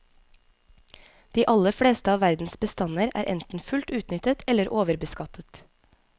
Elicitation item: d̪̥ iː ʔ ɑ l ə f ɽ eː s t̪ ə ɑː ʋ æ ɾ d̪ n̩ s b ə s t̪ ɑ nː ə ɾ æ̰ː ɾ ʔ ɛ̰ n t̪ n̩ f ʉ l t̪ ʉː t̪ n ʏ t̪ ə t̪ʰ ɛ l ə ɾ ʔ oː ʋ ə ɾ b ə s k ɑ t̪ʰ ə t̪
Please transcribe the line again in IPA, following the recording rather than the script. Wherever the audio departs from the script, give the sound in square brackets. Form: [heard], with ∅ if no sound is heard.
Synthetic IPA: d̪̥ iː ʔ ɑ l ə f ɽ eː s t̪ ə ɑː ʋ æ ɾ d̪ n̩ s b ə s t̪ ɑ [n] ə ɾ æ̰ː ɾ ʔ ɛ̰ n t̪ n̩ f ʉ l t̪ ʉː t̪ n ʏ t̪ ə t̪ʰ ɛ l ə ɾ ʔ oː ʋ ə ɾ b ə s k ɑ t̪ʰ ə t̪